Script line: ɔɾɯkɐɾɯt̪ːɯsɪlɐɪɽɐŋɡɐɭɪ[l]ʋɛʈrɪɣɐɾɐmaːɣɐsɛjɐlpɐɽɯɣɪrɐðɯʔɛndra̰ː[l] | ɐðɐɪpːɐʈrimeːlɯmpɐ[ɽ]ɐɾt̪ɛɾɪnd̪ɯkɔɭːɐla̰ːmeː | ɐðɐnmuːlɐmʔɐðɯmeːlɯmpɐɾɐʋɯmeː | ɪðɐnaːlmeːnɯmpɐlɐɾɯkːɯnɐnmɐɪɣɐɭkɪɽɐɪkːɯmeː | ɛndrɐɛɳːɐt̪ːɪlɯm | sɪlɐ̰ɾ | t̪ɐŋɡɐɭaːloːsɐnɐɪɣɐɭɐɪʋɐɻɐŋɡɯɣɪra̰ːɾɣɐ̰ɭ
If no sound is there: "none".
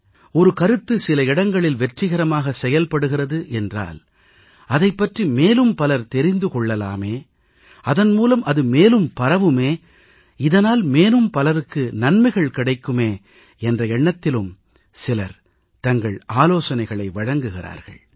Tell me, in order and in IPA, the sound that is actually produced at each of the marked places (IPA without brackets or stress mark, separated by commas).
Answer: l, l, l